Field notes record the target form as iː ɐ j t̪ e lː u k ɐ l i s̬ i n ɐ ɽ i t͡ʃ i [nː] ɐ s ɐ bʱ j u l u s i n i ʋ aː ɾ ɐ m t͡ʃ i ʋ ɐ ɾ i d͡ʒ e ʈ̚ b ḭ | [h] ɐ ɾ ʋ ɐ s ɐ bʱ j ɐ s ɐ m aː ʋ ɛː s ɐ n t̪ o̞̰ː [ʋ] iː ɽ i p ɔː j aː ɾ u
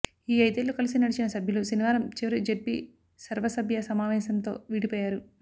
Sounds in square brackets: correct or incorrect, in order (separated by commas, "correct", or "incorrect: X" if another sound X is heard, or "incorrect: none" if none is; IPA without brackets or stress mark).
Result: incorrect: n, incorrect: s, correct